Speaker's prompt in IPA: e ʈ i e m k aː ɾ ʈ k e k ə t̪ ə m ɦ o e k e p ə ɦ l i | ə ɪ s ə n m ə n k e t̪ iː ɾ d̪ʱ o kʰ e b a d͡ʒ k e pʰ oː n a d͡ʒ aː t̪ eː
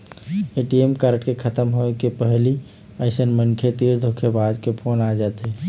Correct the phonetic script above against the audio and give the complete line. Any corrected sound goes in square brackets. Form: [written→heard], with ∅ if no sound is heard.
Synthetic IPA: e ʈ i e m k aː ɾ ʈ k e [k→kʰ] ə t̪ ə m ɦ o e k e p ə ɦ l i | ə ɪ s ə n m ə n [k→kʰ] e t̪ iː ɾ d̪ʱ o kʰ e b a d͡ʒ k e pʰ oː n a d͡ʒ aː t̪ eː